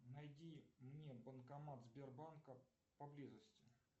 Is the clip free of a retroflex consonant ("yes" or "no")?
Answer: yes